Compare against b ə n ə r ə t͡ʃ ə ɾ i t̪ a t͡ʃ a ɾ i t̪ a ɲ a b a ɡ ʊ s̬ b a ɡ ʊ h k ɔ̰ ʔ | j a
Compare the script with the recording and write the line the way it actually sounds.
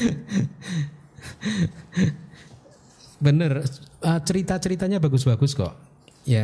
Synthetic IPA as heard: b ə n ə r ə t͡ʃ ə ɾ i t̪ a t͡ʃ ə ɾ i t̪ a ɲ a b a ɡ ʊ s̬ b a ɡ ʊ s k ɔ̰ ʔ | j a